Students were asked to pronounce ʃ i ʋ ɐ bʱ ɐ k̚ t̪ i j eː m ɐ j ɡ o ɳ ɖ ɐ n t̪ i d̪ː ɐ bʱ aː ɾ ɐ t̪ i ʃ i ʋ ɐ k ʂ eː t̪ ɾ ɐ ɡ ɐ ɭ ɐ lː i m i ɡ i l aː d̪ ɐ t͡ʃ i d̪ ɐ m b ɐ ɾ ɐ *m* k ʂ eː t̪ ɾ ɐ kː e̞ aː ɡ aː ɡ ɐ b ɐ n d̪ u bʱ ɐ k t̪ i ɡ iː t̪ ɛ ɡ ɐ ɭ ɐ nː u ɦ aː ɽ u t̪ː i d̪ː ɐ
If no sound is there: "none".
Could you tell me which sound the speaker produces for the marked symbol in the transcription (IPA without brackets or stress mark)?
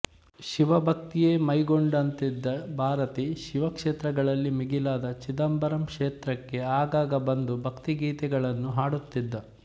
m